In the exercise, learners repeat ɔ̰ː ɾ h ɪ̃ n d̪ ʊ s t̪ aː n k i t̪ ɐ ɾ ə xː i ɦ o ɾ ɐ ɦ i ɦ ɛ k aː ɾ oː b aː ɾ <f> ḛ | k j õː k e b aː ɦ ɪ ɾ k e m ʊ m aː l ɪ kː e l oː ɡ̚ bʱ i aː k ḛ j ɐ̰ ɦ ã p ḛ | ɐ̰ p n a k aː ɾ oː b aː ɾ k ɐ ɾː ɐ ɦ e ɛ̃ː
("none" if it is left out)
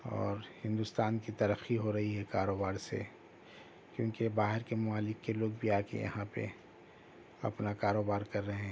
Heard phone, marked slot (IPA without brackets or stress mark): s